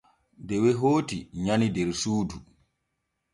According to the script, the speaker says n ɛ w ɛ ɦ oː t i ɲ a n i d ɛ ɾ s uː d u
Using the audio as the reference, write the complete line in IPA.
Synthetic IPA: d ɛ w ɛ ɦ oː t i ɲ a n i d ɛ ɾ s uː d u